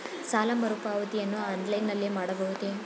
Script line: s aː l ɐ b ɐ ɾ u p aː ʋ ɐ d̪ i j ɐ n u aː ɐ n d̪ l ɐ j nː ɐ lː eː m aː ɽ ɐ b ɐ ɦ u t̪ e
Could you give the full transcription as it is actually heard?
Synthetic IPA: s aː l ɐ m ɐ ɾ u p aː ʋ ɐ t̪ i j ɐ nː u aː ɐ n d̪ l ɐ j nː ɐ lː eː m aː ɽ ɐ b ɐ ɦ u t̪ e